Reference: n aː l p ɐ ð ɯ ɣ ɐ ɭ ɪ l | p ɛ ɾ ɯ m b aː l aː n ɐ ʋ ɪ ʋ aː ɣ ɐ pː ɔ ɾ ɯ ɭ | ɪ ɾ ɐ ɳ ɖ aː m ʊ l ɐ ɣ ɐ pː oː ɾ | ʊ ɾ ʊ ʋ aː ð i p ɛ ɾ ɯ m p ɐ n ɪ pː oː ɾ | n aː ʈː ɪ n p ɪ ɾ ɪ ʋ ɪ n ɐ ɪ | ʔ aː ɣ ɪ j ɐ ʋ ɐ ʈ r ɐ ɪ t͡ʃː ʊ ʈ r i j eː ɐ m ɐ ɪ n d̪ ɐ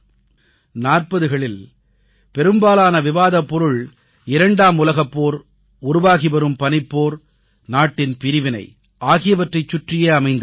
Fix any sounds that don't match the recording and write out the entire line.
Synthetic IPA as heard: n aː r p ɐ ð ɯ ɣ ɐ ɭ ɪ l | p ɛ ɾ ɯ m b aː l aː n ɐ ʋ ɪ ʋ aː ð ɐ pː ɔ ɾ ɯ ɭ | ɪ ɾ ɐ ɳ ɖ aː m ʊ l ɐ ɣ ɐ pː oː ɾ | ʊ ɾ ʊ ʋ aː ɣ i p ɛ ɾ ɯ m p ɐ n ɪ pː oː ɾ | n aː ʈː ɪ n p ɪ ɾ ɪ ʋ ɪ n ɐ ɪ | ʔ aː ɣ ɪ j ɐ ʋ ɐ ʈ r ɐ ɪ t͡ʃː ʊ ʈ r ɪ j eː ɐ m ɐ ɪ n d̪ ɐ

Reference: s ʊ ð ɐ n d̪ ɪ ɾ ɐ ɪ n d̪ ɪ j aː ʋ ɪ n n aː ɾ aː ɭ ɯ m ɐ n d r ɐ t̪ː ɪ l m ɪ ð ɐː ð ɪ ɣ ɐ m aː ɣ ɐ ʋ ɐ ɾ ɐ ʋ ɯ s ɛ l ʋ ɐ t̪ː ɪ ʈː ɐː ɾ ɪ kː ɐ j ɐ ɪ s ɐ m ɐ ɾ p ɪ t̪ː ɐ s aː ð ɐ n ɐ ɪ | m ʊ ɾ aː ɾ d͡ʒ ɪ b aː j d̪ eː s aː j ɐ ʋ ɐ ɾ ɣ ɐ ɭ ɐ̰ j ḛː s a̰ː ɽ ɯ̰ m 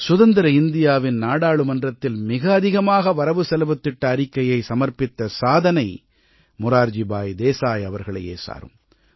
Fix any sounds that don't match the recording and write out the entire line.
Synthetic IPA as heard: s ʊ ð ɐ n d̪ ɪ ɾ ɐ ɪ n d̪ ɪ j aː ʋ ɪ n n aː ɽ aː ɭ ɯ m ɐ n d r ɐ t̪ː ɪ l m ɪ ɣ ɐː ð ɪ ɣ ɐ m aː ɣ ɐ ʋ ɐ ɾ ɐ ʋ ɯ s ɛ l ʋ ɐ t̪ː ɪ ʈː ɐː ɾ ɪ kː ɐ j ɐ ɪ s ɐ m ɐ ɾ p ɪ t̪ː ɐ s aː ð ɐ n ɐ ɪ | m ʊ ɾ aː ɾ d͡ʒ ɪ b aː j d̪ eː s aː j ɐ ʋ ɐ ɾ ɣ ɐ ɭ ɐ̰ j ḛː s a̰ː ɾ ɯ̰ m

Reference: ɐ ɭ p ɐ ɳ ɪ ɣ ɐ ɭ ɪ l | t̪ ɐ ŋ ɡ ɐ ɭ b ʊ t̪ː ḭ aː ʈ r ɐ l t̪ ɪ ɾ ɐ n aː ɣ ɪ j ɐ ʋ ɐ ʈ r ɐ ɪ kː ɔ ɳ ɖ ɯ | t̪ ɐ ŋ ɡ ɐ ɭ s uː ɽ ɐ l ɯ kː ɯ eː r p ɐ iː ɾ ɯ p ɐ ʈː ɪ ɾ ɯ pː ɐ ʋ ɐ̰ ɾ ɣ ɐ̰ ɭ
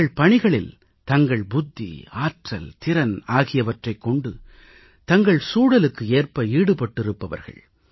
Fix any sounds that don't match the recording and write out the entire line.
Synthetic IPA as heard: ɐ ɭ p ɐ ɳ ɪ ɣ ɐ ɭ ɪ l | t̪ ɐ ŋ ɡ ɐ ɭ b ʊ d̪ː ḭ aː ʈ r ɐ l t̪ ɪ ɾ ɐ n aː ɣ ɪ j ɐ ʋ ɐ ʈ r ɐ ɪ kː ɔ ɳ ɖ ɯ | t̪ ɐ ŋ ɡ ɐ ɭ s uː ɽ ɐ l ɯ kː ɯ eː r p ɐ iː ɽ ɯ p ɐ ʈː ɪ ɾ ɯ pː ɐ ʋ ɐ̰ ɾ ɣ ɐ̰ ɭ

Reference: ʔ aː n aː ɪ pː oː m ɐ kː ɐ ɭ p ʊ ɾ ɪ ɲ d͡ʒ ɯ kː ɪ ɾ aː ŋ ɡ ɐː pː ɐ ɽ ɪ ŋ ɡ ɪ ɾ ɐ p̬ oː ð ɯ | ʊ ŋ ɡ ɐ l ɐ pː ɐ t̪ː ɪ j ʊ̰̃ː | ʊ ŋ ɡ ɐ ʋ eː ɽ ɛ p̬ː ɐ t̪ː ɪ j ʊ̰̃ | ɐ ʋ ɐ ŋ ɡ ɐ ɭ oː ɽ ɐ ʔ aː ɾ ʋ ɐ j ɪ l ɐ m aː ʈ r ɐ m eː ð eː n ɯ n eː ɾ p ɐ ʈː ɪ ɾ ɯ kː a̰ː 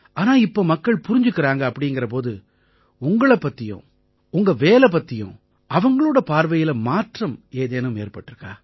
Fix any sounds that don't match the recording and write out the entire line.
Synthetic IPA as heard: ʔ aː n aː ɪ pː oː m ɐ kː ɐ ɭ p ʊ ɾ ɪ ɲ d͡ʒ ɯ kː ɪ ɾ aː ŋ ɡ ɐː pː ɐ ɽ ɪ ŋ ɡ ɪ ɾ ɐ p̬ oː ð ɯ | ʊ ŋ ɡ ɐ ɭ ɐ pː ɐ t̪ː ɪ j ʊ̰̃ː | ʊ ŋ ɡ ɐ ʋ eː l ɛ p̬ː ɐ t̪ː ɪ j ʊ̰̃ | ɐ ʋ ɐ ŋ ɡ ɐ ɭ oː ɽ ɐ p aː ɾ ʋ ɐ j ɪ l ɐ m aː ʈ r ɐ m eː ð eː n ɯ m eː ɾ p ɐ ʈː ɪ ɾ ɯ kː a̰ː

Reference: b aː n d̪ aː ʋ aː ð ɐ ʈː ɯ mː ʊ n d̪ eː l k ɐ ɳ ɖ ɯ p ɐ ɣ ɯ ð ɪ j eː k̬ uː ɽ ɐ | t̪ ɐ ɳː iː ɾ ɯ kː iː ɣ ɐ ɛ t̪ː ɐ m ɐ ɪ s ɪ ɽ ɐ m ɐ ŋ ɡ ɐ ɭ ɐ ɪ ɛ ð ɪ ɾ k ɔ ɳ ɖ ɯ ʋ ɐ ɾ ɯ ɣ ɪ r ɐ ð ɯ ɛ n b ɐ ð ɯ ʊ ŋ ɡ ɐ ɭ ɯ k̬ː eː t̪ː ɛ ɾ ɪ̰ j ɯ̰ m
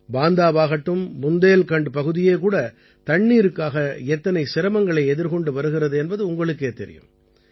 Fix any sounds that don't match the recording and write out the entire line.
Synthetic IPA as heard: b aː n d̪ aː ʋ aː ɣ ɐ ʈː ɯ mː ʊ n d̪ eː l k ɐ ɳ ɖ ɯ p ɐ ɣ ɯ ð ɪ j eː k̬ uː ɽ ɐ | t̪ ɐ ɳː iː ɾ ɯ kː aː ɣ ɐ ɛ t̪ː ɐ n ɐ ɪ s ɪ ɾ ɐ m ɐ ŋ ɡ ɐ ɭ ɐ ɪ ɛ ð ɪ ɾ k ɔ ɳ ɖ ɯ ʋ ɐ ɾ ɯ ɣ ɪ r ɐ ð ɯ ɛ n b ɐ ð ɯ ʊ ŋ ɡ ɐ ɭ ɯ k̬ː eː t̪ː ɛ ɾ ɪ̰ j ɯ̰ m

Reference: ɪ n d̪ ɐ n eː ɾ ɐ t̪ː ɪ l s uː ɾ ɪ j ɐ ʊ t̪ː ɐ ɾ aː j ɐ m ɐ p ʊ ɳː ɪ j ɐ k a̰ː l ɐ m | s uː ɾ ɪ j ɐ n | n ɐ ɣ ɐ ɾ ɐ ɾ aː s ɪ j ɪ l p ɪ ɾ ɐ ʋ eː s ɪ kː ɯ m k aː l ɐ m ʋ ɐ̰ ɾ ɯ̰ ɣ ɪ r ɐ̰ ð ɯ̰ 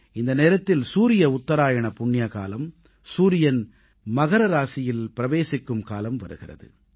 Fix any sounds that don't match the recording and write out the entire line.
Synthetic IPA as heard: ɪ n d̪ ɐ n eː ɾ ɐ t̪ː ɪ l s uː ɾ ɪ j ɐ ʊ t̪ː ɐ ɾ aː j ɐ ɳ ɐ p ʊ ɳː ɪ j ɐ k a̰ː l ɐ m | s uː ɾ ɪ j ɐ n | m ɐ ɣ ɐ ɾ ɐ ɾ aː s ɪ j ɪ l p ɪ ɾ ɐ ʋ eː s ɪ kː ɯ m k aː l ɐ m ʋ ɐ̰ ɾ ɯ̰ ɣ ɪ r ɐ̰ ð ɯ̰

